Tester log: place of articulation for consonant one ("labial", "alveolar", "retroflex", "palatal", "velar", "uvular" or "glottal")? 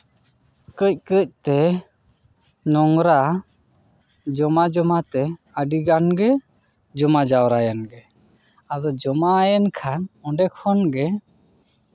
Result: velar